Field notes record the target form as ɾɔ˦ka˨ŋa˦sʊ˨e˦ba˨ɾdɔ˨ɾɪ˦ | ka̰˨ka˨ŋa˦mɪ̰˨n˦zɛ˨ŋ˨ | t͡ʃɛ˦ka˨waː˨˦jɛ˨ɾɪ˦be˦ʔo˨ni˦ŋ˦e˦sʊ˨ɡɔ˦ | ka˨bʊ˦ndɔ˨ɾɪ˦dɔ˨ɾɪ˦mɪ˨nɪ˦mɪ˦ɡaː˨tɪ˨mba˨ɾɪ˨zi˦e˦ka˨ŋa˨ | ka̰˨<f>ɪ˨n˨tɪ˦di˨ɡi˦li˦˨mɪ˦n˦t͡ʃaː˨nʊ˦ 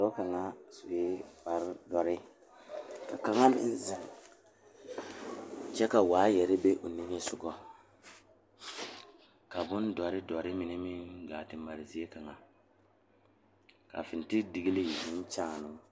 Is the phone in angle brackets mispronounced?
no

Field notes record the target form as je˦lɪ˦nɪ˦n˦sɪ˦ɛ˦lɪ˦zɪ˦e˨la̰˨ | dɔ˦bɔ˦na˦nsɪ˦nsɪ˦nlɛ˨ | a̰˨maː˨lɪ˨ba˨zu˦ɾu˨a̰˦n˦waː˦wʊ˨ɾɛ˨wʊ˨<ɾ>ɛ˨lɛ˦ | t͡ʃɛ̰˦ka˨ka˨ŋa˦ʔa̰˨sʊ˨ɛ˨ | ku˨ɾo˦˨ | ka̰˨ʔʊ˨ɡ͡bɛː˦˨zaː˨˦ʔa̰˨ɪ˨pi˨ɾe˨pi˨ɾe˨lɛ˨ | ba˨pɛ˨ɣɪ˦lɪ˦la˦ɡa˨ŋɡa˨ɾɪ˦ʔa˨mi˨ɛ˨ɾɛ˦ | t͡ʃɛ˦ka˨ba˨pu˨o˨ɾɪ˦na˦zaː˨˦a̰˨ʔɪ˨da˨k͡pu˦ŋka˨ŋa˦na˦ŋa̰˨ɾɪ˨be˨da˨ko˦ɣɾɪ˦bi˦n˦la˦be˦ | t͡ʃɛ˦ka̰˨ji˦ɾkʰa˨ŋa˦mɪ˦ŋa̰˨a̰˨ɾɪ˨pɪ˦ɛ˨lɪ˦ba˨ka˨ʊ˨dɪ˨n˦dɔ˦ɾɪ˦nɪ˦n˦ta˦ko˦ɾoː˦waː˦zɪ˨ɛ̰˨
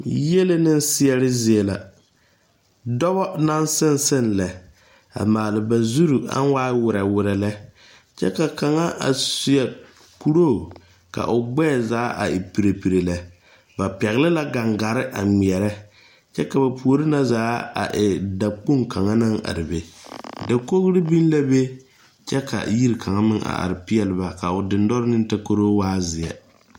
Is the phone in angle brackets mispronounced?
no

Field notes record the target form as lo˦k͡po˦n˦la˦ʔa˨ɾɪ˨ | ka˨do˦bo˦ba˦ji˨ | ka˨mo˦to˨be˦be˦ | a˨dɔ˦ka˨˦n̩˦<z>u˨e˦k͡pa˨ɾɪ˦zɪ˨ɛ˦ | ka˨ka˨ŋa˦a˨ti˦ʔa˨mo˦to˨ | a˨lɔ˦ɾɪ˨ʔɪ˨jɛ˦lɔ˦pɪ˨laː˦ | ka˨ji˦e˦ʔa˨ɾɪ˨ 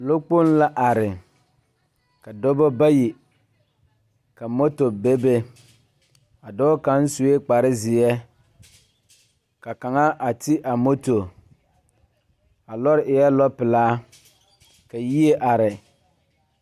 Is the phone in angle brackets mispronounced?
yes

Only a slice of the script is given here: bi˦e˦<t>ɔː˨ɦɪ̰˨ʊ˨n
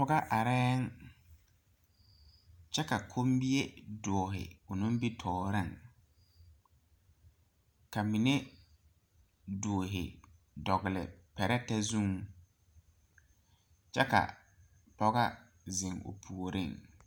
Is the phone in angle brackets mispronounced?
yes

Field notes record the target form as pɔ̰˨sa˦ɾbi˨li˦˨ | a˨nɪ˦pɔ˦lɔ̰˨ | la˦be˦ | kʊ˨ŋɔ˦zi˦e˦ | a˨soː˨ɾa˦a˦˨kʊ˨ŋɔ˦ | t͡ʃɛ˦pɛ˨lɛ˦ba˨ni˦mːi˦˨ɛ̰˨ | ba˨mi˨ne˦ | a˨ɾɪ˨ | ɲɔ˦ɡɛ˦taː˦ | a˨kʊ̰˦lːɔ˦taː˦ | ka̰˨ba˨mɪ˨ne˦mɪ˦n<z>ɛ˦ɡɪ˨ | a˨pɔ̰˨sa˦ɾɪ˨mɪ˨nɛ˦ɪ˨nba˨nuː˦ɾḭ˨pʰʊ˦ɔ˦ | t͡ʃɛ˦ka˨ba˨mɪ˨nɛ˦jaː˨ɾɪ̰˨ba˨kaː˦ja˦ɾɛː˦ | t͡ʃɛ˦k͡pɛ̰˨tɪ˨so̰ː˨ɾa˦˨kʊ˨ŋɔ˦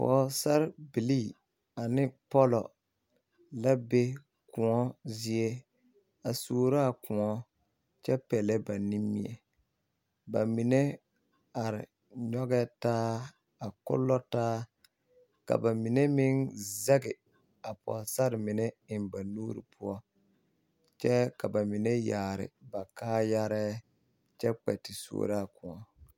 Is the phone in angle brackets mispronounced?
no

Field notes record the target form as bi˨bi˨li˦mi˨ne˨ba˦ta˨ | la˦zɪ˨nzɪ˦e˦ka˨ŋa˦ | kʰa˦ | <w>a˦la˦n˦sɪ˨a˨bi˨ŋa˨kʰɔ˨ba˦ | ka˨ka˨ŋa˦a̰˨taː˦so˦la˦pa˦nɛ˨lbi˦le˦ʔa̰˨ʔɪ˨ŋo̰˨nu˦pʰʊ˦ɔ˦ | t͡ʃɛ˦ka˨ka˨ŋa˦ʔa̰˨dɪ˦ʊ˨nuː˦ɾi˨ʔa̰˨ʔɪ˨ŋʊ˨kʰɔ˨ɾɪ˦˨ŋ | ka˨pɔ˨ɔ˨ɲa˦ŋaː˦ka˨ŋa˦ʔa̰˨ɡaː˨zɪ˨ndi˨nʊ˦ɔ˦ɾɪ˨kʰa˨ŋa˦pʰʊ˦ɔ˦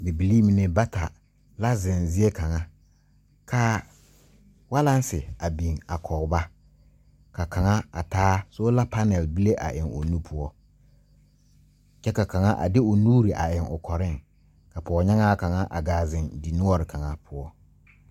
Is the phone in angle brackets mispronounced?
no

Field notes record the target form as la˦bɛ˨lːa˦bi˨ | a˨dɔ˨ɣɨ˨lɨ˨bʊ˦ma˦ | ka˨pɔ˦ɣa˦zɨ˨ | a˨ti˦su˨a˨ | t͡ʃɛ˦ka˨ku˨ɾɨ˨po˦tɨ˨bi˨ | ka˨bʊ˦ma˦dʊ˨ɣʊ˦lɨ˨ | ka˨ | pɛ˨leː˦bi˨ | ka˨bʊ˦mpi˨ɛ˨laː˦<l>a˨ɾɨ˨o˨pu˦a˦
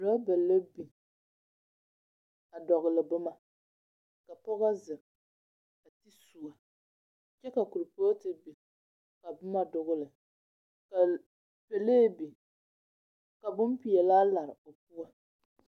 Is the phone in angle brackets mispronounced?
no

